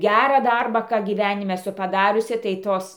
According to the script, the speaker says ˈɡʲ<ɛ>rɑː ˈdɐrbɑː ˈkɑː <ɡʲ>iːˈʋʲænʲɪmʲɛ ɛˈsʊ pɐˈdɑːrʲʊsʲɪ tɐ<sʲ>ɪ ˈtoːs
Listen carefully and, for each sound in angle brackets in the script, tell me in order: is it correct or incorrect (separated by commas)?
incorrect, correct, incorrect